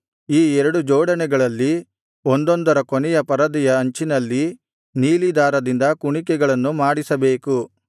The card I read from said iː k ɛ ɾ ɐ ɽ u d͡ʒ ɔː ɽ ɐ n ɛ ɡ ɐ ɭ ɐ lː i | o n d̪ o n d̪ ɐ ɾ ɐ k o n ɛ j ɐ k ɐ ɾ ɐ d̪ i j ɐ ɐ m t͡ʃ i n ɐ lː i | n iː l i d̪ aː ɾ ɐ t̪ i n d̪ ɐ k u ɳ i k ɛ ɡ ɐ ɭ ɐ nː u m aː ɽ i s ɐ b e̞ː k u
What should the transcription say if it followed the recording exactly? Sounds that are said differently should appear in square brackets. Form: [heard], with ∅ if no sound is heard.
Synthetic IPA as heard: iː [∅] ɛ ɾ ɐ ɽ u d͡ʒ ɔː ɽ ɐ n ɛ ɡ ɐ ɭ ɐ lː i | o n d̪ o n d̪ ɐ ɾ ɐ k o n ɛ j ɐ [p] ɐ ɾ ɐ d̪ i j ɐ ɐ [ɲ] t͡ʃ i n ɐ lː i | n iː l i d̪ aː ɾ ɐ [d̪] i n d̪ ɐ k u ɳ i k ɛ ɡ ɐ ɭ ɐ nː u m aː ɽ i s ɐ b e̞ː k u